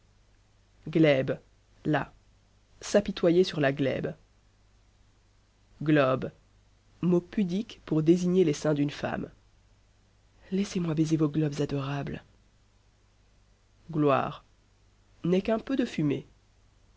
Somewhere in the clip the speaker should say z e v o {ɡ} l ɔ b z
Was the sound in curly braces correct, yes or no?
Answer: yes